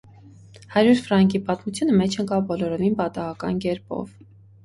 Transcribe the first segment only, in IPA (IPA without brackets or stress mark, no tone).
h